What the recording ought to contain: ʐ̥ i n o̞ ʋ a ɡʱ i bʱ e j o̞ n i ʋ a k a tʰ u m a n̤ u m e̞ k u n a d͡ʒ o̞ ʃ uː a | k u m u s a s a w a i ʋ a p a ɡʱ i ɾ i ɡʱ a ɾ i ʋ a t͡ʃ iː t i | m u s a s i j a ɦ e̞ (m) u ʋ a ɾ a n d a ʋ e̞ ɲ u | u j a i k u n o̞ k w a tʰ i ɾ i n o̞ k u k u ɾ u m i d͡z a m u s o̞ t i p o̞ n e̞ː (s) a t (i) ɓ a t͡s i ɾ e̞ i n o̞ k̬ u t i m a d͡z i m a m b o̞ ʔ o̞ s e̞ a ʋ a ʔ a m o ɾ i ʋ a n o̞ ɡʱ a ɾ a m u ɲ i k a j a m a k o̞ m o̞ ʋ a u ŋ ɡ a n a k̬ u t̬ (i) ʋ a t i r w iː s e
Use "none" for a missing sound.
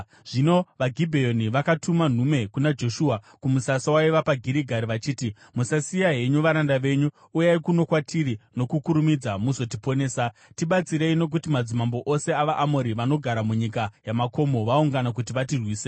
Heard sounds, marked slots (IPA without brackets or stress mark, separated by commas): ɲ, s, i, i